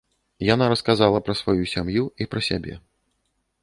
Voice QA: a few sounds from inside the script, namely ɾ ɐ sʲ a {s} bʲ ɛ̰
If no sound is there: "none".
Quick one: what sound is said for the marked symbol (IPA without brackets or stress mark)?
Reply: none